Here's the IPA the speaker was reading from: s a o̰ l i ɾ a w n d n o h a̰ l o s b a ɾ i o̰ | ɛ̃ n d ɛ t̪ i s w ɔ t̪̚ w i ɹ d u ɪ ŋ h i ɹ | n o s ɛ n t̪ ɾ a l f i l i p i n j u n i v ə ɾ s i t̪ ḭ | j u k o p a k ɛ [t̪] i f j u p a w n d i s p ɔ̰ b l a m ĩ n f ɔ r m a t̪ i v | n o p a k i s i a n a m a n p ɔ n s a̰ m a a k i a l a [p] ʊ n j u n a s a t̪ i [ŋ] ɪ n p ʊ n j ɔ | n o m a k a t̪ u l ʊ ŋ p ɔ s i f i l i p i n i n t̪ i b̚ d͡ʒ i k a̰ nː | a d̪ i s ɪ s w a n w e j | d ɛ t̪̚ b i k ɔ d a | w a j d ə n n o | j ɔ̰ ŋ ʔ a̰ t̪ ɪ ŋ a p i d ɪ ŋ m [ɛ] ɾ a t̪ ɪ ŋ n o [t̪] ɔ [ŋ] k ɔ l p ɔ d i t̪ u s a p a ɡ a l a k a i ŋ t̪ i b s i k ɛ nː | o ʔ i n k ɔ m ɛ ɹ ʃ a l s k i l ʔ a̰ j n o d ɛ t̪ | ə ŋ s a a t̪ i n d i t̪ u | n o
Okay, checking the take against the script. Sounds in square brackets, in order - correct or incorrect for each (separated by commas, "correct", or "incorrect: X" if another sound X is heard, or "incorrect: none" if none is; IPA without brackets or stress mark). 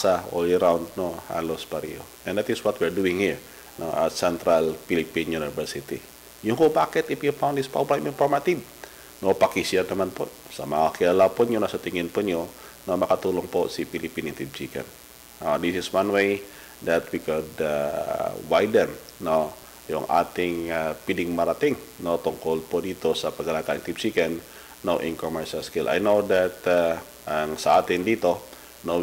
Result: correct, correct, correct, incorrect: a, correct, correct